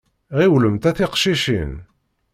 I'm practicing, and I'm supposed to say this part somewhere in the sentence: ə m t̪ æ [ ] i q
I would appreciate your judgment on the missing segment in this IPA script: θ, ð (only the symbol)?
θ